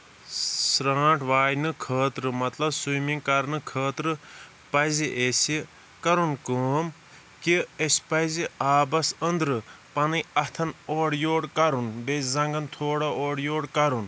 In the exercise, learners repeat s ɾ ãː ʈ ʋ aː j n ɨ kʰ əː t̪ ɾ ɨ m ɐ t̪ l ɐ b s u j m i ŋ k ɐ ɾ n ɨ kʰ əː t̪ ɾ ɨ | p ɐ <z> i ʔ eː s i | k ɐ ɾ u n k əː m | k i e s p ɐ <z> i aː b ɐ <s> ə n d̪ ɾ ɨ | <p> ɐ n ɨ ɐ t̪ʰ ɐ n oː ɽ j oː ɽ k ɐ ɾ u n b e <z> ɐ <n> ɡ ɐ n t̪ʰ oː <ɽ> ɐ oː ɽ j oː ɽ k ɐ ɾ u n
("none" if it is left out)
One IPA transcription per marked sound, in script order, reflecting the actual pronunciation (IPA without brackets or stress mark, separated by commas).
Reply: z, z, s, p, z, ŋ, ɽ